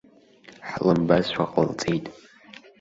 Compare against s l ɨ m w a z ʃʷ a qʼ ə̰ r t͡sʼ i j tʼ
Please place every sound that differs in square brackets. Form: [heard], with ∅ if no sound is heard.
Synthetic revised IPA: [ħ] l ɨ m [b] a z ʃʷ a qʼ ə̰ [l] t͡sʼ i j tʼ